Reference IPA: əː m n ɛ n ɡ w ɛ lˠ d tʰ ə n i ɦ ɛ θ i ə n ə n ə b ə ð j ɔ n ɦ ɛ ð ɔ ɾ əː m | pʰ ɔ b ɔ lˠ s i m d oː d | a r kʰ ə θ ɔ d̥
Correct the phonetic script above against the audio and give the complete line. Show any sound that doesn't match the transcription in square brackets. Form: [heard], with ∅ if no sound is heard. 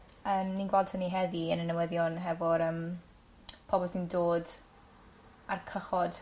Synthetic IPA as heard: əː m n [i] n ɡ w ɛ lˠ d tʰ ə n i ɦ ɛ [ð] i ə n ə n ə [w] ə ð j ɔ n ɦ ɛ [v] ɔ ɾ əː m | pʰ ɔ b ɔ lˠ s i [n] d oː d | a r kʰ ə [χ] ɔ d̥